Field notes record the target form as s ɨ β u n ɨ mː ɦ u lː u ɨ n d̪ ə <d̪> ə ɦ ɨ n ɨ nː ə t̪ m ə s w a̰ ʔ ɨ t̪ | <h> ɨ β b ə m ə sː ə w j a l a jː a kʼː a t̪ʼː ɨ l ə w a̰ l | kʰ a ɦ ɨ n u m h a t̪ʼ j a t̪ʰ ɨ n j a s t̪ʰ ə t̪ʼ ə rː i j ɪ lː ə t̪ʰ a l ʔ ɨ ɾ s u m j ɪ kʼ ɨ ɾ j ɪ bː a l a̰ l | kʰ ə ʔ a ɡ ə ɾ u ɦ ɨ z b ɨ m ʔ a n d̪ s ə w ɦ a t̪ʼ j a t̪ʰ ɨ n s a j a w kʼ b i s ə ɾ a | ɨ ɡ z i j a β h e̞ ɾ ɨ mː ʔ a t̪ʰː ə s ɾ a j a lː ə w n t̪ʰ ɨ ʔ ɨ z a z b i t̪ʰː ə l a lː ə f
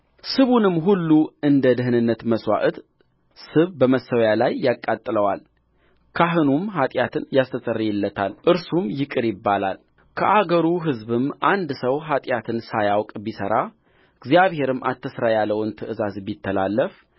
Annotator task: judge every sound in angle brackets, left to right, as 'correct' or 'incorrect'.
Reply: correct, incorrect

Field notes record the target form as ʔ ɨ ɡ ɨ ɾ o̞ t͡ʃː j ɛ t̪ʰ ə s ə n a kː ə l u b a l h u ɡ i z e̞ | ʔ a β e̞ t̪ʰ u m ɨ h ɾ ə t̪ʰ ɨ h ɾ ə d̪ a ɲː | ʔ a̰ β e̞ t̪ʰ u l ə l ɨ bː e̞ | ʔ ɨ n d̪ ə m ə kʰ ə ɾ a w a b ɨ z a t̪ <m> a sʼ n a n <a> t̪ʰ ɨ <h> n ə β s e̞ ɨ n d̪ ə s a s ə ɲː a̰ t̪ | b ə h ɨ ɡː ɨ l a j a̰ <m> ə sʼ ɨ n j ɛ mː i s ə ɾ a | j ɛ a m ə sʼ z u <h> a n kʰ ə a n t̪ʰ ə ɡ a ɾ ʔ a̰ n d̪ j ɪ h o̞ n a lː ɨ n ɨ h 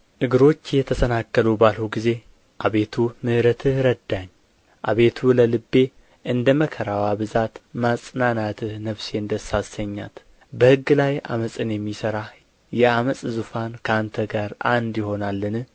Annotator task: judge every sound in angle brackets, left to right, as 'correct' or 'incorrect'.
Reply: correct, correct, correct, correct, incorrect

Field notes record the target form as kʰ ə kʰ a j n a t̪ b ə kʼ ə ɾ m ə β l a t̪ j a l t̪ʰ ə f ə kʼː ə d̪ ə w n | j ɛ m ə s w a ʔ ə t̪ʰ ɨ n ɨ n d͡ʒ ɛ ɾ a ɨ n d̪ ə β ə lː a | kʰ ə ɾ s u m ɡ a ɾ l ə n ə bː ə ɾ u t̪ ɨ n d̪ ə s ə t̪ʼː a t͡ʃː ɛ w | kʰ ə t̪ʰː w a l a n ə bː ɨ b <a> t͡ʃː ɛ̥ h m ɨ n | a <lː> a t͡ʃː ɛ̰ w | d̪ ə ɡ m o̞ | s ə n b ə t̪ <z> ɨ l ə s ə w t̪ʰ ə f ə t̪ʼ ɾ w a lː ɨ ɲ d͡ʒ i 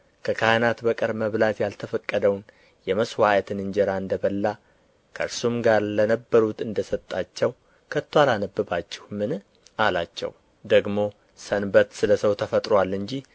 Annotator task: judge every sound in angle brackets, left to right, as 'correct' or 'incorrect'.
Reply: correct, incorrect, incorrect

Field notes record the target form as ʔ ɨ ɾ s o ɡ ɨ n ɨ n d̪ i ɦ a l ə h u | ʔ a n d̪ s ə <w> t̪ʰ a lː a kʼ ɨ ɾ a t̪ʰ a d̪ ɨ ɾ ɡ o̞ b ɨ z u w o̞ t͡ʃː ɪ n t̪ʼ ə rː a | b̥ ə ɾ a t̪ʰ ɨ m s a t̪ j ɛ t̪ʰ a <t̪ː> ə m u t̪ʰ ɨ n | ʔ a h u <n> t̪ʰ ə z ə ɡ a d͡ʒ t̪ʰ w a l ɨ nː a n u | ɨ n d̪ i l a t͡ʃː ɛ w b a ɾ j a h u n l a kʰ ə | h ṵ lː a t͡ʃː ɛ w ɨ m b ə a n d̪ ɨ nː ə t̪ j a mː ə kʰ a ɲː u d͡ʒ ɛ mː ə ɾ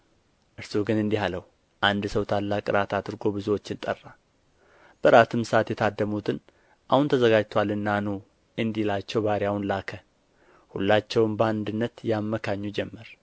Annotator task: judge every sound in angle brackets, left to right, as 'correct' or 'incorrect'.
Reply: correct, incorrect, correct

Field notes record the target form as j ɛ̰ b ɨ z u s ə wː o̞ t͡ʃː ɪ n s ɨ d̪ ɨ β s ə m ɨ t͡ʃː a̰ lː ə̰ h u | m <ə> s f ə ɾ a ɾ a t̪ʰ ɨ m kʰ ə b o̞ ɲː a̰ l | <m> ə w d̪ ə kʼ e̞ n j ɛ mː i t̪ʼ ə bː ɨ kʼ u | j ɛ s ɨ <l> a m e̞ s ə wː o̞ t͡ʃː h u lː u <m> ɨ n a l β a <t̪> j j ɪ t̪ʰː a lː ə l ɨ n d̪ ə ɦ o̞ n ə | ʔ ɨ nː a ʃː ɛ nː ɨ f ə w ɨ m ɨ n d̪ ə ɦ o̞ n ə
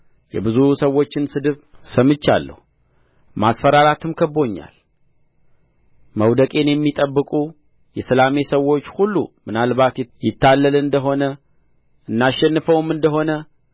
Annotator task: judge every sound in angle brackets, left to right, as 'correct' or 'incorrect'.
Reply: incorrect, correct, correct, correct, correct

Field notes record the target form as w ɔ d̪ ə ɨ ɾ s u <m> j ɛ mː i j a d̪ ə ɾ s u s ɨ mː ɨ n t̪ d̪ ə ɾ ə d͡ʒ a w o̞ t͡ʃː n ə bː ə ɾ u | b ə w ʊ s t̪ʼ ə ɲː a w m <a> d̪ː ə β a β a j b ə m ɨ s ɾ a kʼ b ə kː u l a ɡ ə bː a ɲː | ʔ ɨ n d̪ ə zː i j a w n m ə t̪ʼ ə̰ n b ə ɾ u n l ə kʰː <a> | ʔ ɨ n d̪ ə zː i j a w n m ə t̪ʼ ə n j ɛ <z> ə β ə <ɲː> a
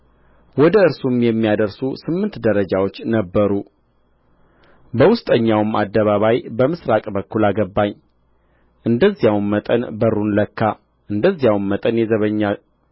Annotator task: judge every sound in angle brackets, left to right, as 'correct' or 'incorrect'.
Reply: correct, correct, correct, correct, correct

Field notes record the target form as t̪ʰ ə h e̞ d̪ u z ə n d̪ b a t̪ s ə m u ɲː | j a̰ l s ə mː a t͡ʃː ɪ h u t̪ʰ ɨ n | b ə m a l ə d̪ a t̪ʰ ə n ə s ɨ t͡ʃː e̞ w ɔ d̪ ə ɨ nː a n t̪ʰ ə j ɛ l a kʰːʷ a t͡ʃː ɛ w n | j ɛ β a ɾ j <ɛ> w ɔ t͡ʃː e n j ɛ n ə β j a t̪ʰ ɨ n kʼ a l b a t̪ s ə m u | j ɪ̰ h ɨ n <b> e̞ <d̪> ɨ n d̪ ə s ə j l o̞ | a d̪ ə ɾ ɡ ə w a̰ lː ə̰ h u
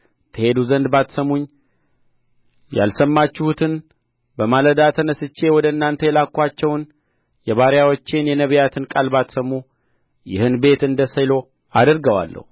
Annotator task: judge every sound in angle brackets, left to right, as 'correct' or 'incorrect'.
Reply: incorrect, correct, incorrect

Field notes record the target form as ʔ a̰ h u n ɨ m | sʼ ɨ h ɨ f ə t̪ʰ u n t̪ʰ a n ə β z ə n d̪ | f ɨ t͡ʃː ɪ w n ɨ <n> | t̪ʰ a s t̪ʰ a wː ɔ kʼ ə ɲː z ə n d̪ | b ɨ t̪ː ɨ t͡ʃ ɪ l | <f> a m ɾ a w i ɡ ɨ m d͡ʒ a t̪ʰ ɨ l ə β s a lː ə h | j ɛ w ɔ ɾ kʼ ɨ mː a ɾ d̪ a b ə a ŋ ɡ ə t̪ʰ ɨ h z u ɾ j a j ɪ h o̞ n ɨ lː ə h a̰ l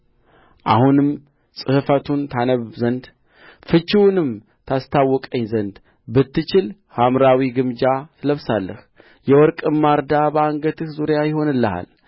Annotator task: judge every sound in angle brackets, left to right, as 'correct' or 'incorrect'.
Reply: incorrect, incorrect

